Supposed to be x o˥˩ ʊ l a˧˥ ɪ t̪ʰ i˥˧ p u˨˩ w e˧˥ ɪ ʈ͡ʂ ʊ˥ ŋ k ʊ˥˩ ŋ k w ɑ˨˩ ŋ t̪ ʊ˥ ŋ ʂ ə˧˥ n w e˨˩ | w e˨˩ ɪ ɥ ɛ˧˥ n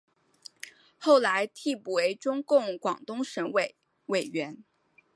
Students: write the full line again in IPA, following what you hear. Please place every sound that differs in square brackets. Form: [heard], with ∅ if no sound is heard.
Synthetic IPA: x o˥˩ ʊ l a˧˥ ɪ t̪ʰ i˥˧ p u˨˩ w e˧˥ ɪ ʈ͡ʂ ʊ˥ ŋ k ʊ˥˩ ŋ k w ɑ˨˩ ŋ t̪ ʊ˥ ŋ ʂ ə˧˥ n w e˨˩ | w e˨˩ ɪ ɥ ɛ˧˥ n